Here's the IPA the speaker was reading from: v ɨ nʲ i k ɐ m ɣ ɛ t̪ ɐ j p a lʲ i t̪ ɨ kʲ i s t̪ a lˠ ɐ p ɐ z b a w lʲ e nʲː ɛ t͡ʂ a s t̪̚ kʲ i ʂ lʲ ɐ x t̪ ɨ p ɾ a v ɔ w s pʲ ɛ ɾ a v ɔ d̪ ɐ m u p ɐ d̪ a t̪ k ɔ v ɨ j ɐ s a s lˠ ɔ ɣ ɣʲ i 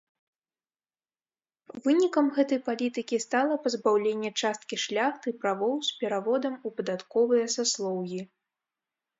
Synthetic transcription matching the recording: v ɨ nʲ i k ɐ m ɣ ɛ t̪ ɐ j p a lʲ i t̪ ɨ kʲ i s t̪ a lˠ ɐ p ɐ z b a w lʲ e nʲː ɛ t͡ʂ a s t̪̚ kʲ i ʂ lʲ a x t̪ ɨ p ɾ a v ɔ w s pʲ ɛ ɾ a v ɔ d̪ ɐ m u p ɐ d̪ a t̪ k ɔ v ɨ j ɐ s a s lˠ ɔ w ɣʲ i